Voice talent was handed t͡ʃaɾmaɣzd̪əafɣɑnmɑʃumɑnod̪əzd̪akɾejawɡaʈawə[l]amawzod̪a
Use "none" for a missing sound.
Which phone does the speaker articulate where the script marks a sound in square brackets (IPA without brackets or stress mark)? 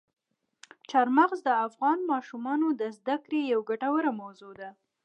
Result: ɾ